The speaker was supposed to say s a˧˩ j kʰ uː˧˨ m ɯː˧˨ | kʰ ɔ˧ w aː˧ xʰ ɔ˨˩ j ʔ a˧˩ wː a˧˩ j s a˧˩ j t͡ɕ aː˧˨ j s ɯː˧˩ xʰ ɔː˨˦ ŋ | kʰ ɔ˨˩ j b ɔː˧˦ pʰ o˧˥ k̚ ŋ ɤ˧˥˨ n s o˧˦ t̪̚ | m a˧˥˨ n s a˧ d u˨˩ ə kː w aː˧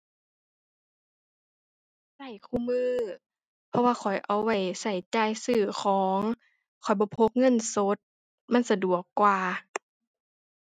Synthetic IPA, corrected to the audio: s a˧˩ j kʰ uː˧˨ m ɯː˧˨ | pʰ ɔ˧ w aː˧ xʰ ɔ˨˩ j ʔ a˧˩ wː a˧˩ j s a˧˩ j t͡ɕ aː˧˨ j s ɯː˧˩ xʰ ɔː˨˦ ŋ | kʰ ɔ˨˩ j b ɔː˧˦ pʰ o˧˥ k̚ ŋ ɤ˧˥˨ n s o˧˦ t̪̚ | m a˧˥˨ n s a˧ d u˨˩ ə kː w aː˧